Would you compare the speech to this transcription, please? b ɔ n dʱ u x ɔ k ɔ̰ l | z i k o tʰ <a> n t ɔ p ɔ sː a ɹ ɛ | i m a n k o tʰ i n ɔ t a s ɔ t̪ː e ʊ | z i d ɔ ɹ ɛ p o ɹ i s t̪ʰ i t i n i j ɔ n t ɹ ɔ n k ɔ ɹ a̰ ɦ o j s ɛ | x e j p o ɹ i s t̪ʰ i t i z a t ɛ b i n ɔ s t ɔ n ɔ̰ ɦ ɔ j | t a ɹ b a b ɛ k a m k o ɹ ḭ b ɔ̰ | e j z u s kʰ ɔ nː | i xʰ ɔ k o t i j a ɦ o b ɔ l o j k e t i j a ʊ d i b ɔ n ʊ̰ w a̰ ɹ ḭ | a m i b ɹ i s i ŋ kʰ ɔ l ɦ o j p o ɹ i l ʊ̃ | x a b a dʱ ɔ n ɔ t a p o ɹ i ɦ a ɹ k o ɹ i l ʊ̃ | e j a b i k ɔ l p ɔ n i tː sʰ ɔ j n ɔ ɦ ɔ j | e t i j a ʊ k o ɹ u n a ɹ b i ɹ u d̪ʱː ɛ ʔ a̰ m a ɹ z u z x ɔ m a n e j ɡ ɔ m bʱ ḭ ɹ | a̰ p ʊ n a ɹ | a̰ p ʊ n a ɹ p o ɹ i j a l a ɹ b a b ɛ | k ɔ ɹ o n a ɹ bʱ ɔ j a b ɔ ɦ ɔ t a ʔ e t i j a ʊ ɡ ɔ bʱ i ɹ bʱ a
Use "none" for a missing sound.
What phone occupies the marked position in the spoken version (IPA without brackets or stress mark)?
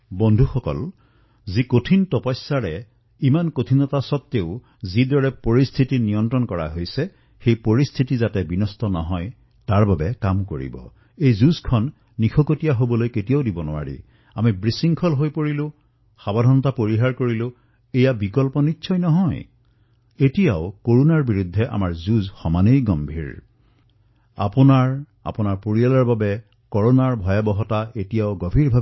i